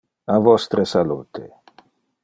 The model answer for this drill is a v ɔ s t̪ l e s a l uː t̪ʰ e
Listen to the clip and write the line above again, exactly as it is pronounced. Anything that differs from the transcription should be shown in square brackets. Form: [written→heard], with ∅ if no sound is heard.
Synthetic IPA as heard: a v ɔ s t̪ [l→ɾ] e s a l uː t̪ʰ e